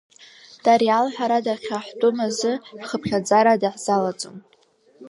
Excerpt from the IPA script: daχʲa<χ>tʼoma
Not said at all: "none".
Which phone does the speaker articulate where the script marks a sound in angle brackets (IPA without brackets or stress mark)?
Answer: ħ